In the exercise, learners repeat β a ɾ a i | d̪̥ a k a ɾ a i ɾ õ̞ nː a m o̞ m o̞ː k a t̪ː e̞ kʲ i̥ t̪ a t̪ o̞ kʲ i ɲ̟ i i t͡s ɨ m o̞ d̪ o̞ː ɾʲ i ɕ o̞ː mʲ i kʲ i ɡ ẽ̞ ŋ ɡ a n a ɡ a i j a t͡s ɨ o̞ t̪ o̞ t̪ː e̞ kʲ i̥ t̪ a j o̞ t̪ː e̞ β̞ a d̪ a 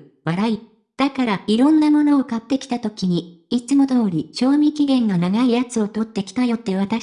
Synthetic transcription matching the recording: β a ɾ a i | d̪̥ a k a ɾ a i ɾ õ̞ nː a m o̞ n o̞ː k a t̪ː e̞ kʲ i̥ t̪ a t̪ o̞ kʲ i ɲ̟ i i t͡s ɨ m o̞ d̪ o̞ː ɾʲ i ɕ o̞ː mʲ i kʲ i ɡ ẽ̞ ŋ ɡ a n a ɡ a i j a t͡s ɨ o̞ t̪ o̞ t̪ː e̞ kʲ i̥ t̪ a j o̞ t̪ː e̞ β̞ a t̪ a